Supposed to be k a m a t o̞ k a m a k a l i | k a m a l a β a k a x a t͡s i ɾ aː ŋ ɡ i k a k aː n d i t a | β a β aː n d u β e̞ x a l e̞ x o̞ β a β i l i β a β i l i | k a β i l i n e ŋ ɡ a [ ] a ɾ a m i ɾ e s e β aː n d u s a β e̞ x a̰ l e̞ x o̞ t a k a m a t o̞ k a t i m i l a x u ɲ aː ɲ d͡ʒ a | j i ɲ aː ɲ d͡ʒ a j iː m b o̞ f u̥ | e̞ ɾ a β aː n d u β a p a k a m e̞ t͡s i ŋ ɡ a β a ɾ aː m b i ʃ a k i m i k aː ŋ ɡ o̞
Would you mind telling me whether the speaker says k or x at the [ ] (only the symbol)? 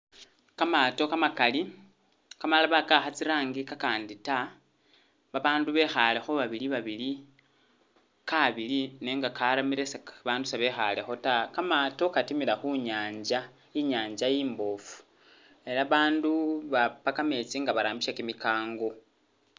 k